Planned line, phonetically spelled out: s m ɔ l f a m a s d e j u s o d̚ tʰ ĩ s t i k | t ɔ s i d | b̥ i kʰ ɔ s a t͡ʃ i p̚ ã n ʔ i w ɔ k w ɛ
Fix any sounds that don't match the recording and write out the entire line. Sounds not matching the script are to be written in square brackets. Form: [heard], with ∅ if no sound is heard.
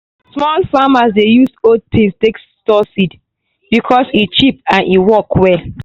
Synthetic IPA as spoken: s m ɔ l f a m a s d e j u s o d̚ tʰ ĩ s t [e] k | t ɔ s i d | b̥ i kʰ ɔ s [i] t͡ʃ i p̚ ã n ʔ i w ɔ k w ɛ

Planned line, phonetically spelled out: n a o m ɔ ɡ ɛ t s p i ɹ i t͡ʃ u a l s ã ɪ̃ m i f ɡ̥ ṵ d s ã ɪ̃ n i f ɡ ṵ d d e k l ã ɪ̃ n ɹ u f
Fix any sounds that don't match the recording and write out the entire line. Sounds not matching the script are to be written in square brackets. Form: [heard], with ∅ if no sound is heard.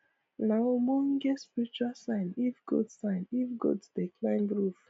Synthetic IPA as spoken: n a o m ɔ ɡ ɛ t s p i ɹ i t͡ʃ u a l s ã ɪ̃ [n] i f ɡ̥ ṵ d s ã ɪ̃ n i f ɡ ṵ d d e k l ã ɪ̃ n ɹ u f

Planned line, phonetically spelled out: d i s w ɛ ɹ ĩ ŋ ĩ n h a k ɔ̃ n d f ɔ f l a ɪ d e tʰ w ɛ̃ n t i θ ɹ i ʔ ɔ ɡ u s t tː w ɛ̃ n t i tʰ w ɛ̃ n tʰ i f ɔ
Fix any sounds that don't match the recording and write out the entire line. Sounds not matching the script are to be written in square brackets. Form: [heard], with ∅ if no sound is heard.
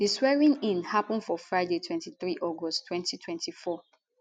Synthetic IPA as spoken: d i s w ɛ ɹ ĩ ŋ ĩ n h a [p] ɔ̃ n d f ɔ f [ɹ] a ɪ d e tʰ w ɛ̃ n t i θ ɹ i ʔ ɔ ɡ [ɔ] s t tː w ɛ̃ n t i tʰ w ɛ̃ n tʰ i f ɔ

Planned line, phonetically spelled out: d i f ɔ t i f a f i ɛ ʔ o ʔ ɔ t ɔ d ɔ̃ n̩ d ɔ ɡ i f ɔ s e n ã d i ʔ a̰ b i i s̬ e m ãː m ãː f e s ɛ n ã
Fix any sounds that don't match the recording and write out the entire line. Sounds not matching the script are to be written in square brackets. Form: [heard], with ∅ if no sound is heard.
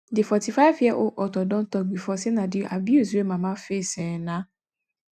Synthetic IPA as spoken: d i f ɔ t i f a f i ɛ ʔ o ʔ ɔ t ɔ d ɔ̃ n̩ [t] ɔ [ɡ͡b] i f ɔ s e n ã d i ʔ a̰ b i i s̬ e m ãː m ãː f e s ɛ n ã

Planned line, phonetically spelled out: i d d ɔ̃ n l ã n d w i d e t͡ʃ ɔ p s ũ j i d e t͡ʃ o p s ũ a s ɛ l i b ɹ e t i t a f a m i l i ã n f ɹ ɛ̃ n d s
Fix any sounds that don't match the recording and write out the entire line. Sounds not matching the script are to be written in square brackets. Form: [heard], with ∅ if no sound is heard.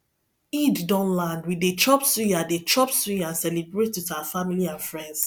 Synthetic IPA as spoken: i d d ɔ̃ n l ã n d w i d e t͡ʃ ɔ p s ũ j [a] d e t͡ʃ [ɔ] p s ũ a s ɛ l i b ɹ e t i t a f a m i l i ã n f ɹ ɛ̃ n d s

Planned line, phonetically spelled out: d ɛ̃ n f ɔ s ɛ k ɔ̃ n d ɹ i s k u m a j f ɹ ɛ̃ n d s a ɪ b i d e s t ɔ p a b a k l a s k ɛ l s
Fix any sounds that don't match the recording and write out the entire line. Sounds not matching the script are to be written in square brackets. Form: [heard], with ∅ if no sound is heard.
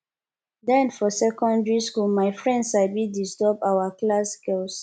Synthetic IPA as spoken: d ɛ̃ n f ɔ s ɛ k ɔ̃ n d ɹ i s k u m a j f ɹ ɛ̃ n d s a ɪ b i d [i] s t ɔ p a [w] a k l a s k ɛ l s

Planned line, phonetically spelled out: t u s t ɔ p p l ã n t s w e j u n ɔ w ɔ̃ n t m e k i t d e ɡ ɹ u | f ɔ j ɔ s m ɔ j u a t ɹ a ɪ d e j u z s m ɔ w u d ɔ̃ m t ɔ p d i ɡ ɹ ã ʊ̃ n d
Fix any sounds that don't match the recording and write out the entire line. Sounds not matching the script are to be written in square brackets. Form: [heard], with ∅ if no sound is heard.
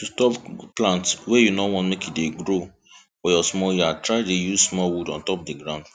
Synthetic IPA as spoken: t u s t ɔ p p l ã n t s w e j u n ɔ w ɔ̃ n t m e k i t d e ɡ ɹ [o] | f ɔ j ɔ s m ɔ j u a t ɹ a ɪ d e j u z s m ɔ w u d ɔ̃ [n] t ɔ p d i ɡ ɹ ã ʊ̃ n d

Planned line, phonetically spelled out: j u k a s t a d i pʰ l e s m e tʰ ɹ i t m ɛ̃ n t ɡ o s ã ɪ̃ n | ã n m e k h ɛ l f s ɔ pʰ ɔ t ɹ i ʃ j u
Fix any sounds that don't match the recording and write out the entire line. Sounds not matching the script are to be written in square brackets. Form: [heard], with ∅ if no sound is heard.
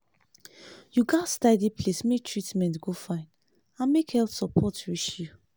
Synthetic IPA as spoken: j u [ɡ] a s t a d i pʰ l e s m e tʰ ɹ i t m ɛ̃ n t ɡ o [f] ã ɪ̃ n | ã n m e k h ɛ l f s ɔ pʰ ɔ t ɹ i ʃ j u

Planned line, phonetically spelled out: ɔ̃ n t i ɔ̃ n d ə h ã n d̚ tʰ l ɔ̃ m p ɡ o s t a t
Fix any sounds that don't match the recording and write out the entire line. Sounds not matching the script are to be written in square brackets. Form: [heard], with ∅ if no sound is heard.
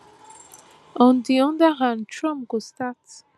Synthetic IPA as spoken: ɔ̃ n [d] i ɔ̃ n d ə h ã n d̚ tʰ [ɹ] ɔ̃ m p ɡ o s t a t

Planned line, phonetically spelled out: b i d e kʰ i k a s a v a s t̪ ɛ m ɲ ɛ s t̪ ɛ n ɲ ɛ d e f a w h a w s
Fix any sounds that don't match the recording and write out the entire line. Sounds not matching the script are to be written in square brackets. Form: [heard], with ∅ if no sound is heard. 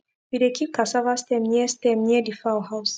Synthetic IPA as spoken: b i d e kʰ i k a s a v a s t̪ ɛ m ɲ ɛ s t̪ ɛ [m] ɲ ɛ d [i] f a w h a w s

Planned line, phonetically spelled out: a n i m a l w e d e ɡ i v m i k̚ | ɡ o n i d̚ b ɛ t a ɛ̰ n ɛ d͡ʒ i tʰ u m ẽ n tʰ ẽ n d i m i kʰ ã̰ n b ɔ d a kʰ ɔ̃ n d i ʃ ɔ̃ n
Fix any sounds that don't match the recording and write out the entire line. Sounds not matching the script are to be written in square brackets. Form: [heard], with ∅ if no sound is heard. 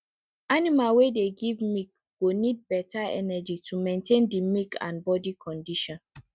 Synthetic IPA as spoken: a n i m a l w e d e ɡ i v m i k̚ | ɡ o n i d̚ b ɛ t a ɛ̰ n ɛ d͡ʒ i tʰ u m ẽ n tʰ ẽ n d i m i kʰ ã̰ n b ɔ d [i] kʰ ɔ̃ n d i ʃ ɔ̃ n

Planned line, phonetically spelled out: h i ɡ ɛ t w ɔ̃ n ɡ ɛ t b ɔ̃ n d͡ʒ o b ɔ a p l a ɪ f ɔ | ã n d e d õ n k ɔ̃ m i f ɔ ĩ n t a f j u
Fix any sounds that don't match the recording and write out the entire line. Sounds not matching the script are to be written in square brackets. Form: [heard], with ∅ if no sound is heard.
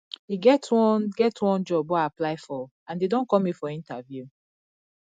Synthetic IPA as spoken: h i ɡ ɛ t w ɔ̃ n ɡ ɛ t [w] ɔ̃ n d͡ʒ [ɔ] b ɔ a p l a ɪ f ɔ | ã n d e d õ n k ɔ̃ m i f ɔ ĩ n t a [v] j u

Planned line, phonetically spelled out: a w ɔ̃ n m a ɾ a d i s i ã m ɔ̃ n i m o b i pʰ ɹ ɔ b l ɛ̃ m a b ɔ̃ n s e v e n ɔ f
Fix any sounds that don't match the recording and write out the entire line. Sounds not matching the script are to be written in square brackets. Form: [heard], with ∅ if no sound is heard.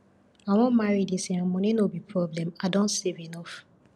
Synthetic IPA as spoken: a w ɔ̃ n m a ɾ [i] d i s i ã m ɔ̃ n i [n] o b i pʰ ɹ ɔ b l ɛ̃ m a [d] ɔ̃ n s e v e n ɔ f

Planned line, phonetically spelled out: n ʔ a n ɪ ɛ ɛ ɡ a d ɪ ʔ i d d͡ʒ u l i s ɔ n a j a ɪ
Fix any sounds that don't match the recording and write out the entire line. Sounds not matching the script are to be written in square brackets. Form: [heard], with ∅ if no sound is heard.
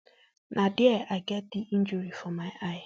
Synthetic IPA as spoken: n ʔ a [d] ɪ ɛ [a] ɡ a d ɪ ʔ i [n] d͡ʒ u [ɾ] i [f] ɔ [m] a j a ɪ

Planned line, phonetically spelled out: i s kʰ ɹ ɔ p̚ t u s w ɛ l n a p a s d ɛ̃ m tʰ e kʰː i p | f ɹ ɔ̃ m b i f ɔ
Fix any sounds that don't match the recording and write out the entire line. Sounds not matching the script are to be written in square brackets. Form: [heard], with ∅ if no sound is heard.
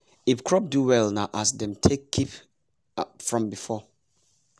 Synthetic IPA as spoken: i [f] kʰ ɹ ɔ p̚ [d] u [∅] w ɛ l n a [ʔ] a s d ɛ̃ m tʰ e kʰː i p | f ɹ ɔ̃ m b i f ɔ

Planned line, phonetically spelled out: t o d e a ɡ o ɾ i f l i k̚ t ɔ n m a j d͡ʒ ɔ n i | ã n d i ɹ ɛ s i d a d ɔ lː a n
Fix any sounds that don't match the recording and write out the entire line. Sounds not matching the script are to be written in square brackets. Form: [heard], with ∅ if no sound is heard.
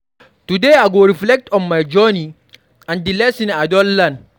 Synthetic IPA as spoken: t [u] d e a ɡ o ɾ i f l [ɛ] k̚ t ɔ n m a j d͡ʒ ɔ n i | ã n d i [l] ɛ s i [n] a d ɔ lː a n

